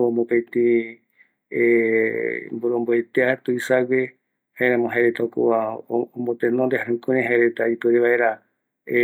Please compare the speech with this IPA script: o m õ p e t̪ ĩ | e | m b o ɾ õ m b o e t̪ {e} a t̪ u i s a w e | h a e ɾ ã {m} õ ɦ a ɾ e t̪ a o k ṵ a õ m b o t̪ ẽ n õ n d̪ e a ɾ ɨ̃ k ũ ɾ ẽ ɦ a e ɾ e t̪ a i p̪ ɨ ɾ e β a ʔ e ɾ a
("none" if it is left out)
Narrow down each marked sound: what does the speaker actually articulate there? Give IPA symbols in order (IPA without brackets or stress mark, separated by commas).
e, m